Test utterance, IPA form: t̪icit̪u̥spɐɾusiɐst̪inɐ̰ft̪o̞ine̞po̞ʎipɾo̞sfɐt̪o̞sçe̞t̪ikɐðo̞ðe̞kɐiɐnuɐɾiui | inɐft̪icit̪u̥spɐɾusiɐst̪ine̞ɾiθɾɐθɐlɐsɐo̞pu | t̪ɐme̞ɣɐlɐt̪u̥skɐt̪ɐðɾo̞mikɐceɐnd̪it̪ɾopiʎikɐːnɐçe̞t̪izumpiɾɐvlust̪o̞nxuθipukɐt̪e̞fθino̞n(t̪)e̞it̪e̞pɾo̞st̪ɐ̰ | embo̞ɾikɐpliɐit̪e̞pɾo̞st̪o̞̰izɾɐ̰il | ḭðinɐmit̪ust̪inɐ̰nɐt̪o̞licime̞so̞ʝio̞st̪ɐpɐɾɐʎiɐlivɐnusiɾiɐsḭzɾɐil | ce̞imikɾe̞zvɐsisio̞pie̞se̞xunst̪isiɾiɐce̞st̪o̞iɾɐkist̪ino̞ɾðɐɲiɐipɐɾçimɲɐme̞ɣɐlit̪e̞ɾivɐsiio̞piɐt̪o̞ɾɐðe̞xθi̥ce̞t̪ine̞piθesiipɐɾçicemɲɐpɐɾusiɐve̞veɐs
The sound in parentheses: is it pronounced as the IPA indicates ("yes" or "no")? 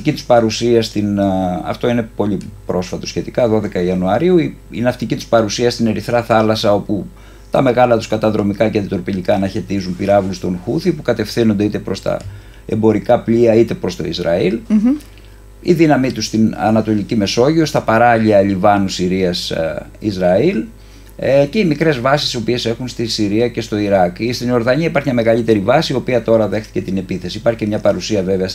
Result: no